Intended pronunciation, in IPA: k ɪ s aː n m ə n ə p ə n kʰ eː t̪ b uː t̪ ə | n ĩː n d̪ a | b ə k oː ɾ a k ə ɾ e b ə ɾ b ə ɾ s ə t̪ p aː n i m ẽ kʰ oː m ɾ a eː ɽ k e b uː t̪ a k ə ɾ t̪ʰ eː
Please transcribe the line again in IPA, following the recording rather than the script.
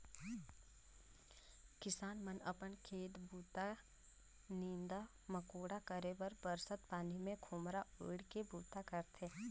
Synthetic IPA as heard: k ɪ s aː n m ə n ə p ə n kʰ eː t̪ b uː t̪ a | n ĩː n d̪ a | m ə k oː ɽ a k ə ɾ e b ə ɾ b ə ɾ s ə t̪ p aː n i m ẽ kʰ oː m ɾ a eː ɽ k e b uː t̪ a k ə ɾ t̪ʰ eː